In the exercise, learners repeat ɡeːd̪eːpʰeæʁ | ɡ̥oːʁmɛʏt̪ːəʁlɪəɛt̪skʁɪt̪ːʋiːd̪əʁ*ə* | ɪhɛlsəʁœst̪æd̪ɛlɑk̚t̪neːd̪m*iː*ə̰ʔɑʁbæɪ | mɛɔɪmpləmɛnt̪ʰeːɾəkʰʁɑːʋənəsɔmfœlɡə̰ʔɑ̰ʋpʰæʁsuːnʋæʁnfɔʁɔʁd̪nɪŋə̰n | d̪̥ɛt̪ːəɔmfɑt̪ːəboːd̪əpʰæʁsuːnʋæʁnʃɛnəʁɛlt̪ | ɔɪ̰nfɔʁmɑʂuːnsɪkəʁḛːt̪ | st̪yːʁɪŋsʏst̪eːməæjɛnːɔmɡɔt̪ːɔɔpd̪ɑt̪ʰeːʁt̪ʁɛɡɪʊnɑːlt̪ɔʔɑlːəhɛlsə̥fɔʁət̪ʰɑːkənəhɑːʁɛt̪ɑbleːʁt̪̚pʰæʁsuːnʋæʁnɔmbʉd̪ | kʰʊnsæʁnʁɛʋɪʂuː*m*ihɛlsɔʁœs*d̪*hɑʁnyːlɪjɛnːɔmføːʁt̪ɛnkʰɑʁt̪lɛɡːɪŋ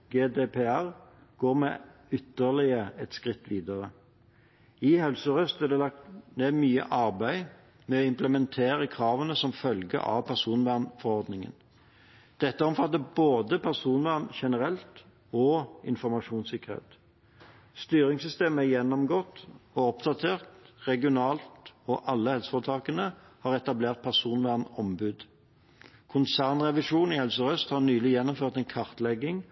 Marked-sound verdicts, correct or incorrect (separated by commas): correct, incorrect, incorrect, incorrect